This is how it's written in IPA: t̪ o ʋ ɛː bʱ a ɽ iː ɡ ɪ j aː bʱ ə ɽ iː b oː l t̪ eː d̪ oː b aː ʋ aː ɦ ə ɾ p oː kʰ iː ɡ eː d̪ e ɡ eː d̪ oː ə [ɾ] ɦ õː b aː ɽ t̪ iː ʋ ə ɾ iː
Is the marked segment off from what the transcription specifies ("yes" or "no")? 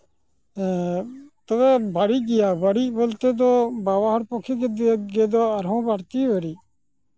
no